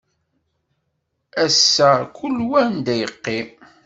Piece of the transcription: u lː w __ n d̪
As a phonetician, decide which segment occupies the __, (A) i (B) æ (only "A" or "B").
B